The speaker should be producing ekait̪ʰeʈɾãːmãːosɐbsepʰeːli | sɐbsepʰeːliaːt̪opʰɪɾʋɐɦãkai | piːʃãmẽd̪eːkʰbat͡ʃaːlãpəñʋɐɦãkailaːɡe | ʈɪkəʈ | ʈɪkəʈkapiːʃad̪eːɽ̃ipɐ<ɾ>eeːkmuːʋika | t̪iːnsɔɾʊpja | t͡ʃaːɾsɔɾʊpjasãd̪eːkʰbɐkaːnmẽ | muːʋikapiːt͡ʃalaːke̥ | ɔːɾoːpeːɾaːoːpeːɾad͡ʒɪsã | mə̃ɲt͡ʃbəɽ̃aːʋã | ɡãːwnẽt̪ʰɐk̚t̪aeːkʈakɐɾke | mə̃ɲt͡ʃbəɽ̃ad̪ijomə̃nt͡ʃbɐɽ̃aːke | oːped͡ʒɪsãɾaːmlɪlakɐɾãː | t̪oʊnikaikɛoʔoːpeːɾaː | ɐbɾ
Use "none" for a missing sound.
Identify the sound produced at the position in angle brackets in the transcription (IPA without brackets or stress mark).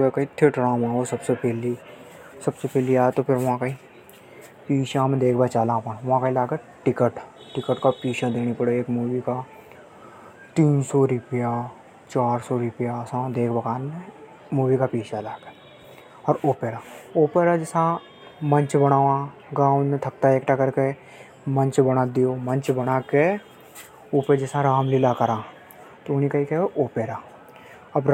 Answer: ɽ